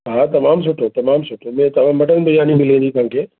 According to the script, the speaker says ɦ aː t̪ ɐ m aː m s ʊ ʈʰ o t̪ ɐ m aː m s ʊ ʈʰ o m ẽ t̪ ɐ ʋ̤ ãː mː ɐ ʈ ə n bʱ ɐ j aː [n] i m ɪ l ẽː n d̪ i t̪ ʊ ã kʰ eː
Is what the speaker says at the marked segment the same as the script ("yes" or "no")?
yes